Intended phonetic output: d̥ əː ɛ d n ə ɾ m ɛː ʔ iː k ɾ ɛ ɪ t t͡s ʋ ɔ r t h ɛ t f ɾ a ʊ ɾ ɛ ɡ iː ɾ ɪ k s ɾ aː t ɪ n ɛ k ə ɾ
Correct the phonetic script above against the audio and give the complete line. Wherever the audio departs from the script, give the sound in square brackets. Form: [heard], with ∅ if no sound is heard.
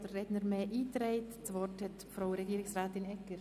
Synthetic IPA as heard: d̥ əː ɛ d n ə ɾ m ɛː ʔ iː [t] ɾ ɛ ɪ t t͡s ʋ ɔ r t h ɛ t f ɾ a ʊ ɾ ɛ ɡ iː ɾ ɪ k s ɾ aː t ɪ n ɛ k ə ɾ